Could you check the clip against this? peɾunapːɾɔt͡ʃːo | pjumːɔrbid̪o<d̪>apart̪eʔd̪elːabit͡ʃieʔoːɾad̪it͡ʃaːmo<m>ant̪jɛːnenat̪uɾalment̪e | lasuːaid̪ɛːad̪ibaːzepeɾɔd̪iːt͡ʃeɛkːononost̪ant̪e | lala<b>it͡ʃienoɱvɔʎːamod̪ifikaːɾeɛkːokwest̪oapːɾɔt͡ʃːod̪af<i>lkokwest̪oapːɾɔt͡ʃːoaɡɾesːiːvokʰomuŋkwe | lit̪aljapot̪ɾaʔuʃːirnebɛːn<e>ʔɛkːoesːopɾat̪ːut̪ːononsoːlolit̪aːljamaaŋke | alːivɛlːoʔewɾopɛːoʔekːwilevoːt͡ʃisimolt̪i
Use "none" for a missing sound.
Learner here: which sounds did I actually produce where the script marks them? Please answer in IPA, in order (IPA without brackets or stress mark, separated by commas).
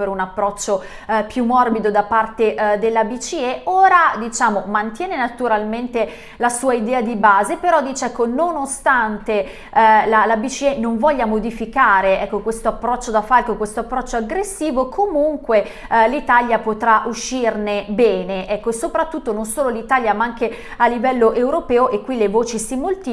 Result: d̪, m, b, a, e